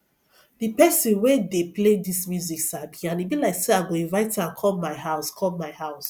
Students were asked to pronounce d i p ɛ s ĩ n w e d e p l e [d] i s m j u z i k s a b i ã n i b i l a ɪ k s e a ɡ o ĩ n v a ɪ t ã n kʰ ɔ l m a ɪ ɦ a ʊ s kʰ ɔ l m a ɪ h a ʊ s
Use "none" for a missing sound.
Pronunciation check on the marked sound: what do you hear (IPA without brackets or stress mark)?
d